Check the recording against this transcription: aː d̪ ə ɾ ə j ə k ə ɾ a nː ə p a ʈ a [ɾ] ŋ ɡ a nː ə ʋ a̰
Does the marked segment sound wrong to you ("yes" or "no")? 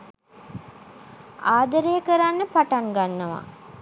yes